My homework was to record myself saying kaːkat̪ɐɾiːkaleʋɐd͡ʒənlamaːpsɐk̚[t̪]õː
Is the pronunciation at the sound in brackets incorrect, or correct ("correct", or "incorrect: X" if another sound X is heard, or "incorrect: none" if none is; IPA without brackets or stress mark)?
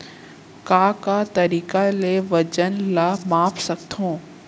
incorrect: t̪ʰ